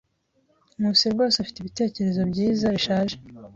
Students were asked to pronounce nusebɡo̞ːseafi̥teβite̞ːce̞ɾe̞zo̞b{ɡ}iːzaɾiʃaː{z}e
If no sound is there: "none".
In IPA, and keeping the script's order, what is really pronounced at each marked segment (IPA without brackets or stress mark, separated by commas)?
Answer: ɟ, ʒ